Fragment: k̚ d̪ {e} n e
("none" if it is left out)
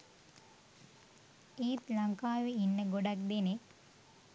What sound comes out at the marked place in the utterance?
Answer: e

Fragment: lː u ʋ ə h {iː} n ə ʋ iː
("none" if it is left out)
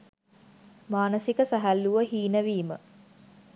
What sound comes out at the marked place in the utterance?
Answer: iː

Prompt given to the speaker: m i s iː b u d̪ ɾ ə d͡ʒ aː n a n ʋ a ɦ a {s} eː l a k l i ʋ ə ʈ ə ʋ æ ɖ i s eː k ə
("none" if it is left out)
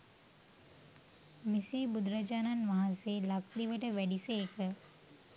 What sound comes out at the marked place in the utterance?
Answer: s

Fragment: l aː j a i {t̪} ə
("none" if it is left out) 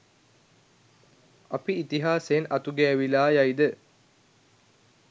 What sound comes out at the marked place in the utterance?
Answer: d̪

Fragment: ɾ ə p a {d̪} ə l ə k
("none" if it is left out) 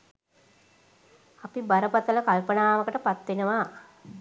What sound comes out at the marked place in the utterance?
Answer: t̪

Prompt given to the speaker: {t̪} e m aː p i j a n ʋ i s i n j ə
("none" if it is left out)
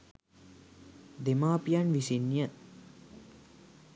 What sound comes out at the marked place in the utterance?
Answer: d̪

